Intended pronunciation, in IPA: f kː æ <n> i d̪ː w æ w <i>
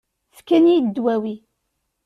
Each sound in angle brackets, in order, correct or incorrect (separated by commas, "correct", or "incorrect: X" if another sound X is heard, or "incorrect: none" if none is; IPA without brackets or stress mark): correct, correct